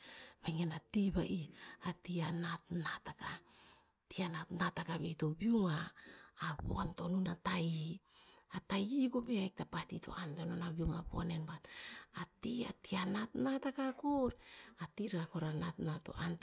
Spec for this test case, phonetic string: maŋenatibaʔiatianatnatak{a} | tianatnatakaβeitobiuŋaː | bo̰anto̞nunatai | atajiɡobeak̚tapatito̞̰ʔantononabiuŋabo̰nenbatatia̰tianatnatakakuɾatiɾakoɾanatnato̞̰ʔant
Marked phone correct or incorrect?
correct